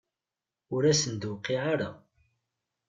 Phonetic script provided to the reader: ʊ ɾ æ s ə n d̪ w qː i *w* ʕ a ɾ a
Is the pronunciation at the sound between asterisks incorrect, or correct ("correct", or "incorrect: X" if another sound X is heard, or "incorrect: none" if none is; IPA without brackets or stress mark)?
incorrect: none